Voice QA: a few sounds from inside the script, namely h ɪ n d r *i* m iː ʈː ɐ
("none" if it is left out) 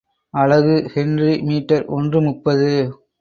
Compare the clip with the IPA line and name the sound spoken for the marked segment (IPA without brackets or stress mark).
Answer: i